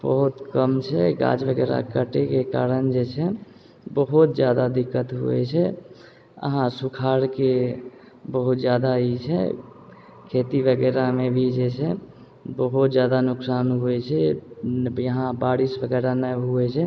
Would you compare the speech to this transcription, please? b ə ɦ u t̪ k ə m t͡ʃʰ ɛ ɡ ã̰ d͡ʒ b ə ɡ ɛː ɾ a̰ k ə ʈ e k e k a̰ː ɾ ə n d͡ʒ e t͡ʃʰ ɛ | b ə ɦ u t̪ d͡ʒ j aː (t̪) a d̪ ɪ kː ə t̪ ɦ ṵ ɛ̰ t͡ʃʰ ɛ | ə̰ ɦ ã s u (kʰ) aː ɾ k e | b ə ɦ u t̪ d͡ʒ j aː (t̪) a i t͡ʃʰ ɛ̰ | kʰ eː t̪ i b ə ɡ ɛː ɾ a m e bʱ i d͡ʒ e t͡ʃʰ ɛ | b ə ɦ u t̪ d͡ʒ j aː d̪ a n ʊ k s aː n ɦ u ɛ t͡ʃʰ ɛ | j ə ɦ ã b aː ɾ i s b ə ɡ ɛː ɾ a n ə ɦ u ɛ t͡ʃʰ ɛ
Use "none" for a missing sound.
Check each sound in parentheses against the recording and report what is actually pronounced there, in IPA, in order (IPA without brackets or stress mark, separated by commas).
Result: d̪, kʰ, d̪